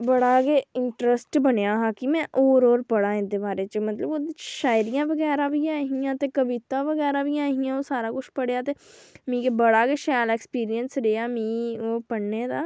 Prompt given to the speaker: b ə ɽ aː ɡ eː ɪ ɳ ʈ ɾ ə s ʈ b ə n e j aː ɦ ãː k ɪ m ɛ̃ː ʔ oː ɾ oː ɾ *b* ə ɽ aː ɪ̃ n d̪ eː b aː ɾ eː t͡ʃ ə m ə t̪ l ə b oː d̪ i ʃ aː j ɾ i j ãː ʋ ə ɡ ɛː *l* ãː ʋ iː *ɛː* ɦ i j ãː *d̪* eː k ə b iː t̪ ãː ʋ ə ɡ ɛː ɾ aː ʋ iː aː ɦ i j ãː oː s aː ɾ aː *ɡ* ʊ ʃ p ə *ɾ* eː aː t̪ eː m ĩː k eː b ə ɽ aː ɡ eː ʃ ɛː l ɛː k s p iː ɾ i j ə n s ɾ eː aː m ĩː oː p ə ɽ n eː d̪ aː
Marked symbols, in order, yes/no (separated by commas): no, no, no, no, no, no